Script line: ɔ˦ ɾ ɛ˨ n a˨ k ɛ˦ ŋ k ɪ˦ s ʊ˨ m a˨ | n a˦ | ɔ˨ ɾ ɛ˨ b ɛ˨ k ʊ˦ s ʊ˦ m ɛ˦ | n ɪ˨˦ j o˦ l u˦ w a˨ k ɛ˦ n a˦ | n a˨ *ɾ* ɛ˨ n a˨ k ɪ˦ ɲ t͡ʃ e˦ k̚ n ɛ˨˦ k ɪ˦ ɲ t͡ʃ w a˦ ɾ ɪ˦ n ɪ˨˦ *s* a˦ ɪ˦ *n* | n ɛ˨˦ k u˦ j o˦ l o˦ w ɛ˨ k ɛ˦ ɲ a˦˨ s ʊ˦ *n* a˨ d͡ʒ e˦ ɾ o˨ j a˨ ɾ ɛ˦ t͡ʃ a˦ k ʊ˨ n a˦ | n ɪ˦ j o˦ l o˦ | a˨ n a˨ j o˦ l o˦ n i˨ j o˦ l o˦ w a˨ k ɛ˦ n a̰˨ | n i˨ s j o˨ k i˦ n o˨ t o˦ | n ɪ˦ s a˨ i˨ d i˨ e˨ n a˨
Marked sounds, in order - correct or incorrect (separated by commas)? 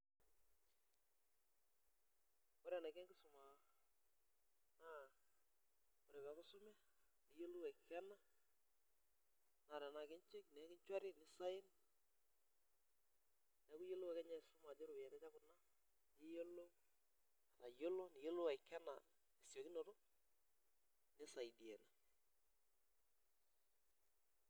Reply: correct, correct, correct, incorrect